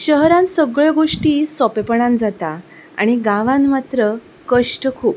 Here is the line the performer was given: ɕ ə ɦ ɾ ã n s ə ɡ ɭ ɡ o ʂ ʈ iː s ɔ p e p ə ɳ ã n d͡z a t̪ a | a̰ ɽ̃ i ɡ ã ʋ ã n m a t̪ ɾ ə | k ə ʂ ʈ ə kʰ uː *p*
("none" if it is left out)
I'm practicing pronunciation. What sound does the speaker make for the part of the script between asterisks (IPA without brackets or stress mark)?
p